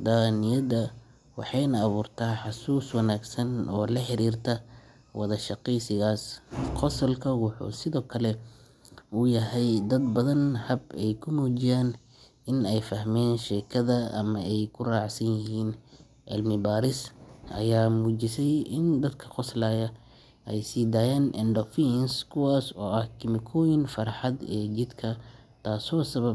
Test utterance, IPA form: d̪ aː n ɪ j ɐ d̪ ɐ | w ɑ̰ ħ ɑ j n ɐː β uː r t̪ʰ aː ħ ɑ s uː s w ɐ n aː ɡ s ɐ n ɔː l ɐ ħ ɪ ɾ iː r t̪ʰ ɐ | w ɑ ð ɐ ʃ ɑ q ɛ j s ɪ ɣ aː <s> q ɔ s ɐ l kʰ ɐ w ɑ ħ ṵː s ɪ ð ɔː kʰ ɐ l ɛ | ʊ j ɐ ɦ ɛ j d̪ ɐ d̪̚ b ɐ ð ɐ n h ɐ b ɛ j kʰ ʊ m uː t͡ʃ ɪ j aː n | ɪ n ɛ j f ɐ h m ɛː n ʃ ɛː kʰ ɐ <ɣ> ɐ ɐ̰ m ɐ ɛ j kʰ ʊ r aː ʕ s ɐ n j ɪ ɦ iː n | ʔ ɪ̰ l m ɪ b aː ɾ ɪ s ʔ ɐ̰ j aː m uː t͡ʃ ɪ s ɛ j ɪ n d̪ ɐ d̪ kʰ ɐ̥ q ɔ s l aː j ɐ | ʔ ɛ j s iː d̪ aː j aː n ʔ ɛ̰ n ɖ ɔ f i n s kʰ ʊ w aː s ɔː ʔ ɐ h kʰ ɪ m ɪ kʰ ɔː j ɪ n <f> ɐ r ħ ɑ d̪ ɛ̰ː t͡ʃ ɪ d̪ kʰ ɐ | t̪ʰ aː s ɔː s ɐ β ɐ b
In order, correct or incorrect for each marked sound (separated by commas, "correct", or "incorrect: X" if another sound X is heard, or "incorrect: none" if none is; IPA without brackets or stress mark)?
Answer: correct, incorrect: ð, correct